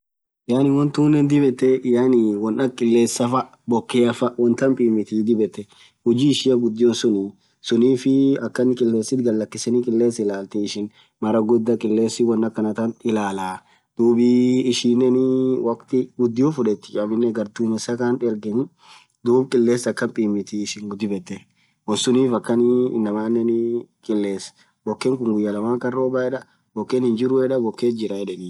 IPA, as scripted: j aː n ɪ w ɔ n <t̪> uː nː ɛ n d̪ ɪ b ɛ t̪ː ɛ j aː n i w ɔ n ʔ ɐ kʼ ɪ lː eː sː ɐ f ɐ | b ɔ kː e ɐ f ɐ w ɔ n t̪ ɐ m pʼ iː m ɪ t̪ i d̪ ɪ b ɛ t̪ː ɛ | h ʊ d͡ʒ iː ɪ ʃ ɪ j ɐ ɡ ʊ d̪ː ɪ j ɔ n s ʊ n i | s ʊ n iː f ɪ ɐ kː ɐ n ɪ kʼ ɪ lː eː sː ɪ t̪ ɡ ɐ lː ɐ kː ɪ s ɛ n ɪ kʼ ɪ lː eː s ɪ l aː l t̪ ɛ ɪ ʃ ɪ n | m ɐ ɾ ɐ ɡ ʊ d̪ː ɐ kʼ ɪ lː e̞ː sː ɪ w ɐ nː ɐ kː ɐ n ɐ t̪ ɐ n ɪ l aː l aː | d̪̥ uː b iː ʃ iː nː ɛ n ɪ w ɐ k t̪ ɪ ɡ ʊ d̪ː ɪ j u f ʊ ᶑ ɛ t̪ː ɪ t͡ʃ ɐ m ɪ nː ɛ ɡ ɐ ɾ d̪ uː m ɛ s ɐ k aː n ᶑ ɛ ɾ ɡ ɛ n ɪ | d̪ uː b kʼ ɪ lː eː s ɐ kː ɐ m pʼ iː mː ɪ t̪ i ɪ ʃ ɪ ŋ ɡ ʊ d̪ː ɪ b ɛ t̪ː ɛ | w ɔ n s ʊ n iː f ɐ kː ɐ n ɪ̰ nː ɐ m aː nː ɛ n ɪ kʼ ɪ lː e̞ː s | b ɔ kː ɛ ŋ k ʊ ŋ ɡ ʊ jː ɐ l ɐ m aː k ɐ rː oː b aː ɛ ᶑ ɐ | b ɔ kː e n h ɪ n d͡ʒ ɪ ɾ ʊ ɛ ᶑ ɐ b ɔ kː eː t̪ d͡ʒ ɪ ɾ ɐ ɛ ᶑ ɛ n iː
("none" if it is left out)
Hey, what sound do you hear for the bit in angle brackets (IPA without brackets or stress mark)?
t̪